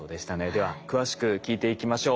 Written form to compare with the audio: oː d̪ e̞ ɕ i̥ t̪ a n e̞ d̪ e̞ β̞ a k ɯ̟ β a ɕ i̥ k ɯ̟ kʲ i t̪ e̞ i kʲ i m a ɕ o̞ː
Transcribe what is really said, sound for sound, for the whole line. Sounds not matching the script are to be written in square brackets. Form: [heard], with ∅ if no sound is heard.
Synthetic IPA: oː d̪ e̞ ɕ i̥ t̪ a n e̞ d̪ e̞ β̞ a k ɯ̟ β a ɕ i̥ k ɯ̟ kʲ [iː] t̪ e̞ i kʲ i m a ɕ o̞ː